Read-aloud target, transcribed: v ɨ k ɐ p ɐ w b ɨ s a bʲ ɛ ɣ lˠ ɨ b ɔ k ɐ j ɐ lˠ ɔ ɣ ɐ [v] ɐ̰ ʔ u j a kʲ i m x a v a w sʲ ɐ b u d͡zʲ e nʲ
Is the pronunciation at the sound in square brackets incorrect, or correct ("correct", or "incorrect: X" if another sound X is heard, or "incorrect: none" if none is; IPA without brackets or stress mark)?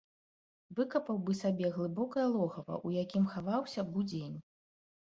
correct